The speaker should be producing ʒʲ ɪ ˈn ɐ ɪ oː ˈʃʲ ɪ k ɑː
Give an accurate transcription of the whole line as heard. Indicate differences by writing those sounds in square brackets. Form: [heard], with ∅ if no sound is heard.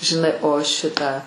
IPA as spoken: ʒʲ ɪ ˈn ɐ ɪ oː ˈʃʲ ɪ [t] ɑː